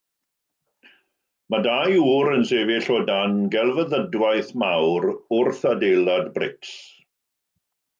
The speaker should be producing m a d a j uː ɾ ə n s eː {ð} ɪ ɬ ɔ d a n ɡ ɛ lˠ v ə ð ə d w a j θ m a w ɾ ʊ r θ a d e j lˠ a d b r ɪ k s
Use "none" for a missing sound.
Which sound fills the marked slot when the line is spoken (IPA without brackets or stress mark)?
v